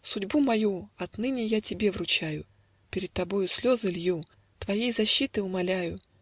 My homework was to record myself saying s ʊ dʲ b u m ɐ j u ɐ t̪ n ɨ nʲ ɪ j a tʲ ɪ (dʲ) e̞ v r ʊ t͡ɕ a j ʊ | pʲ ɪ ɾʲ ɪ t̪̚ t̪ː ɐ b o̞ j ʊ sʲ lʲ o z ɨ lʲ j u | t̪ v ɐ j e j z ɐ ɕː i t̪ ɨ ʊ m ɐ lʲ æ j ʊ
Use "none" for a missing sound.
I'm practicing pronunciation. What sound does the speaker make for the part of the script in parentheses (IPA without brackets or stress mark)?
bʲ